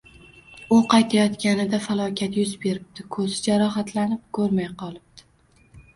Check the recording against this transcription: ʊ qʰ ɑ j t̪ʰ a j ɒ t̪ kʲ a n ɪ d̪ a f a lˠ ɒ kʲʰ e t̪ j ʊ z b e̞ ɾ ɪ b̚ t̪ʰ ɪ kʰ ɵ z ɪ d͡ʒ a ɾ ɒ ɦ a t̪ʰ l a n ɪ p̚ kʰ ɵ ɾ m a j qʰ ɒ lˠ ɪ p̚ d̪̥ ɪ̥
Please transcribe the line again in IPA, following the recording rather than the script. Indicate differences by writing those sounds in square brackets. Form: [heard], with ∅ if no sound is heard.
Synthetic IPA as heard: ʊ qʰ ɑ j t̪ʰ a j ɒ t̪ kʲ a n ɪ d̪ a f a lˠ ɒ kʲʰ [a] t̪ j ʊ z b e̞ ɾ ɪ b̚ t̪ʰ ɪ kʰ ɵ z ɪ d͡ʒ a ɾ ɒ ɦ a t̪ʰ l a n ɪ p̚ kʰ ɵ ɾ m a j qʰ ɒ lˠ ɪ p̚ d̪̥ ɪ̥